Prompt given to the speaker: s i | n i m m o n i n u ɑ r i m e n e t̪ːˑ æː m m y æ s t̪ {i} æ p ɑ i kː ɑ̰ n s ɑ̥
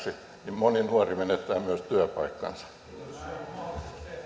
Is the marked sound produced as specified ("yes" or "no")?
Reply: no